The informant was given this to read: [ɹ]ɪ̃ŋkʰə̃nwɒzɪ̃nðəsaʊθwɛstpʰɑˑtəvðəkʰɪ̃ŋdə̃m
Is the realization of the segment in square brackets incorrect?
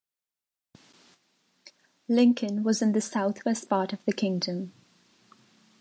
yes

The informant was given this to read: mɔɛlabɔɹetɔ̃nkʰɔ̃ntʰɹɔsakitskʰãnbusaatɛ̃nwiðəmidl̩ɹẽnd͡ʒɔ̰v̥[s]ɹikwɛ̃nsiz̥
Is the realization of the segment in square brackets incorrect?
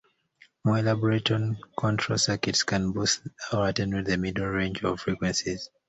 yes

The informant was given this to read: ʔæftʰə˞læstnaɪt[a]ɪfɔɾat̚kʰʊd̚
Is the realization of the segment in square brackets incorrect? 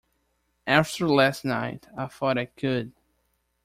no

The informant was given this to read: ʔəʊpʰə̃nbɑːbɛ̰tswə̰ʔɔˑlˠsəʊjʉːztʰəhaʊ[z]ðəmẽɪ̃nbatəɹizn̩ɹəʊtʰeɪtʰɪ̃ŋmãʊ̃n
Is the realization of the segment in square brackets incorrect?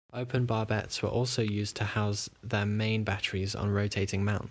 no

